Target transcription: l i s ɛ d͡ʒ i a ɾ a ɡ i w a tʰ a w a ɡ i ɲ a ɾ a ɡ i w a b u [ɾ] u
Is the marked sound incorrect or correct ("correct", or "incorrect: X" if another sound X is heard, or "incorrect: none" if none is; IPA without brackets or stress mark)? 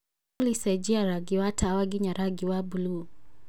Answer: incorrect: l